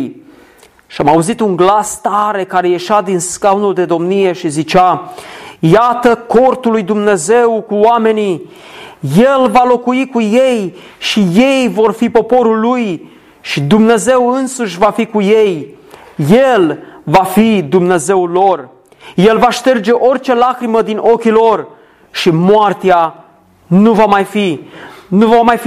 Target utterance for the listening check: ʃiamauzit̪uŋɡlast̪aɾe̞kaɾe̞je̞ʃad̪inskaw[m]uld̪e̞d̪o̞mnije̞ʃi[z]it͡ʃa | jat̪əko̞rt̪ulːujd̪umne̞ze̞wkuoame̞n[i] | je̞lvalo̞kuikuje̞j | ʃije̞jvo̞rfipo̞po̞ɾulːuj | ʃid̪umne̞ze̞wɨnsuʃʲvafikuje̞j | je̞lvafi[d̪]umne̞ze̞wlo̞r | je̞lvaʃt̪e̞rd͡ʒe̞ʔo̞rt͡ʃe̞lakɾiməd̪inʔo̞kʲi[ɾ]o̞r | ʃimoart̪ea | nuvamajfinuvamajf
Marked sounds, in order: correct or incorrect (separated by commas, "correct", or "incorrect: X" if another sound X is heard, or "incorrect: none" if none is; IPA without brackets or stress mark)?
incorrect: n, correct, correct, correct, incorrect: l